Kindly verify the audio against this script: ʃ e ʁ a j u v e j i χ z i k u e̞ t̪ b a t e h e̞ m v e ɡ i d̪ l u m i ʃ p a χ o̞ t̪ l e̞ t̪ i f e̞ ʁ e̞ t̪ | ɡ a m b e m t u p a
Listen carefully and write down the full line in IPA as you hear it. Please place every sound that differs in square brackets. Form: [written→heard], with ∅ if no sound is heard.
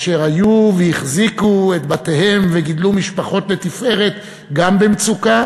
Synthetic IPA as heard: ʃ e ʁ a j u v e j i χ z i k u e̞ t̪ b a t e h e̞ m v e ɡ i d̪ l u m i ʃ p a χ o̞ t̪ l e̞ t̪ i f e̞ ʁ e̞ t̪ | ɡ a m b e m [t→t͡s] u [p→k] a